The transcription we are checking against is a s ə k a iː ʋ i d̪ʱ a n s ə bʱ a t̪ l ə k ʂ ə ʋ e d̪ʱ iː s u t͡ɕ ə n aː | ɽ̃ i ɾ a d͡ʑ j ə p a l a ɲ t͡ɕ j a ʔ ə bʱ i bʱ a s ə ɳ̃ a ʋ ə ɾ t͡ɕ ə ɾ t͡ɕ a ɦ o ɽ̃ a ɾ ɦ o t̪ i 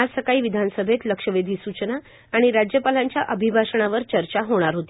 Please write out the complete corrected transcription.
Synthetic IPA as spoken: a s ə k a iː ʋ i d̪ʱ a n s ə bʱ e t̪ l ə k ʂ ə ʋ e d̪ʱ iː s u t͡ɕ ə n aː | ɽ̃ i ɾ a d͡ʑ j ə p a l a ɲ t͡ɕ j a ʔ ə bʱ i bʱ a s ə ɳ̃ a ʋ ə ɾ t͡ɕ ə ɾ t͡ɕ a ɦ o ɽ̃ a ɾ ɦ o t̪ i